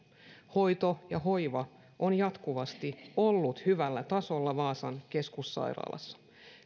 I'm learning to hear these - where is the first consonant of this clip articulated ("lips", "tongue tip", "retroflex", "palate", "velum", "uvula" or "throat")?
throat